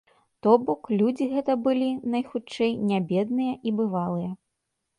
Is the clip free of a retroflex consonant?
no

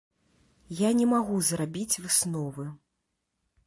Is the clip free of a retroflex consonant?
yes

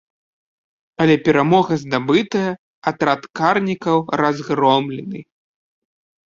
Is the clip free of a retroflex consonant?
yes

